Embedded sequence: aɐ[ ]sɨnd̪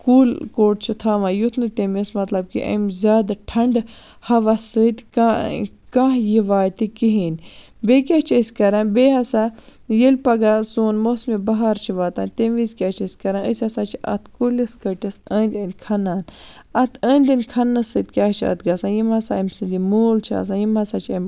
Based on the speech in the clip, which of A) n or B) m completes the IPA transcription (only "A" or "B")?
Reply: B